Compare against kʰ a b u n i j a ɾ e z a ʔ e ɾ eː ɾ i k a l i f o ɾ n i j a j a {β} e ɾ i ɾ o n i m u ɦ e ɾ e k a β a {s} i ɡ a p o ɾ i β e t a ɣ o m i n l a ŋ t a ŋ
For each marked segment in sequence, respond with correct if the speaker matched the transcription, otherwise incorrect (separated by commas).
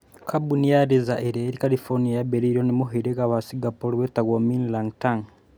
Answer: incorrect, correct